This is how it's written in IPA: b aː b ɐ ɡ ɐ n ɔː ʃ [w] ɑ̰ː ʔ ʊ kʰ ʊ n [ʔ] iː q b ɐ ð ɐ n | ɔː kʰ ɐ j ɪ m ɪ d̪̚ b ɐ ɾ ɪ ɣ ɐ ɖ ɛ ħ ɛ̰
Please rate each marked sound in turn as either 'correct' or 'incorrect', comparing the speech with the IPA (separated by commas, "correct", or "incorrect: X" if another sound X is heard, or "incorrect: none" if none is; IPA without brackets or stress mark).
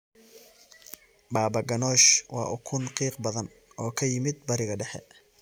correct, incorrect: q